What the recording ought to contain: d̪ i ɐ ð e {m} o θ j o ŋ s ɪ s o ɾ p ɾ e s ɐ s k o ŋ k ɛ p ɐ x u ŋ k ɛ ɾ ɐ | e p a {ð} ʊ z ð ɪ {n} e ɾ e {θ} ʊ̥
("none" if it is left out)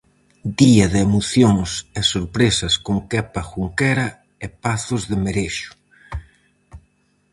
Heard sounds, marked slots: m, θ, m, ʃ

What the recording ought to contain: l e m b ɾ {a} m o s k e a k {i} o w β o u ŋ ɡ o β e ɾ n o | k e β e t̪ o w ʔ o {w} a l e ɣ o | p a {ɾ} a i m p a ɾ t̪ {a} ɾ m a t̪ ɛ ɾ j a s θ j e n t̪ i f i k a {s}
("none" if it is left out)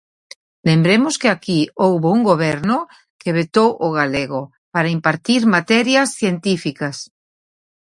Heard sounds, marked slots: e, i, ɣ, ɾ, i, s

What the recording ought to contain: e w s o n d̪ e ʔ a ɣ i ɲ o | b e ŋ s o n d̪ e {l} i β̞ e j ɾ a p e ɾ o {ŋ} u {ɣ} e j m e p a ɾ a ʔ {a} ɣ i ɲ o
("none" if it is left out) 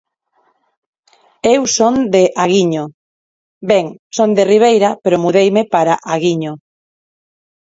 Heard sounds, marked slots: r, m, ð, a

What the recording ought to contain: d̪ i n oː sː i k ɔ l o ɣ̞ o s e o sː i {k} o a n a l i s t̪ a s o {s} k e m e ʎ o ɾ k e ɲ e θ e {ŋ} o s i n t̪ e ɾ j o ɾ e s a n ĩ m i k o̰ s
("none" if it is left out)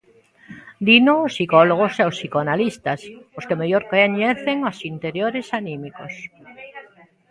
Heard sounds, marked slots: k, s, ŋ

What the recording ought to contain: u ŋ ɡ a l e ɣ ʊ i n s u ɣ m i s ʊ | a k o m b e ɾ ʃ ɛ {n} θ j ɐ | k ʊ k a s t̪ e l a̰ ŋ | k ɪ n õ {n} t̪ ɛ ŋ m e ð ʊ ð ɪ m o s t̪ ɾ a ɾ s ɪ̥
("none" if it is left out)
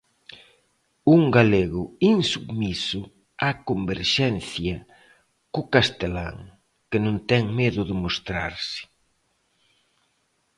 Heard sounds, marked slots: n, n

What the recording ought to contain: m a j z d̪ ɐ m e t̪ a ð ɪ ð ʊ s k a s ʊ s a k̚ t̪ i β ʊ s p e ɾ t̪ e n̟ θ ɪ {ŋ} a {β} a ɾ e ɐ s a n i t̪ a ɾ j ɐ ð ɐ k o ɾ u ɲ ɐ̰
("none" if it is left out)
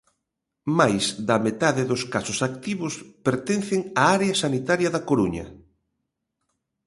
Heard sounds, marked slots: ŋ, none

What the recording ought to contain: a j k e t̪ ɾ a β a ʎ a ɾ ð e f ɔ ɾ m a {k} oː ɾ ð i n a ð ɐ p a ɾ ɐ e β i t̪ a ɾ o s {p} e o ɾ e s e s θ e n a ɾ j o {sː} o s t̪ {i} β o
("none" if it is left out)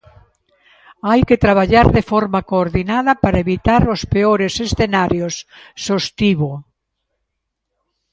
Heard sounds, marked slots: k, p, sː, i

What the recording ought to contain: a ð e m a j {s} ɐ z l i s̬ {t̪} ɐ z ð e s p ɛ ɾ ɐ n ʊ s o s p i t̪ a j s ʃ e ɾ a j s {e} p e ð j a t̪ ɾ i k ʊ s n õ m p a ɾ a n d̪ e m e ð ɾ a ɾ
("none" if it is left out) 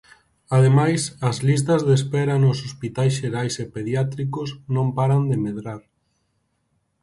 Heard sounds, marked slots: s, t̪, e

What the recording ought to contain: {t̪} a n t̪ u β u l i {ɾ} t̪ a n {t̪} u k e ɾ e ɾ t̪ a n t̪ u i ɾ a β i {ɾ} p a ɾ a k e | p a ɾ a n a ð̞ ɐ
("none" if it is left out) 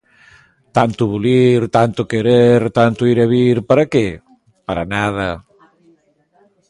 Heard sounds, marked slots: t̪, ɾ, t̪, ɾ

